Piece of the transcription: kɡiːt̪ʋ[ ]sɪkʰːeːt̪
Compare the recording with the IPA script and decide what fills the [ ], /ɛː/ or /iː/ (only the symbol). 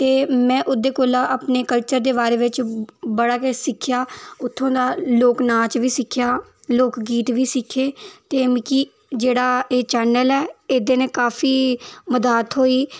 iː